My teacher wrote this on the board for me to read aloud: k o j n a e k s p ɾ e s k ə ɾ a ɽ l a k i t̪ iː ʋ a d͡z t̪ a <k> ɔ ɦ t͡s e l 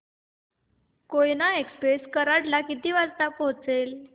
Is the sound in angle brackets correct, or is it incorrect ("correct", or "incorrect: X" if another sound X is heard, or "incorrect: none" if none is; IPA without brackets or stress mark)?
incorrect: p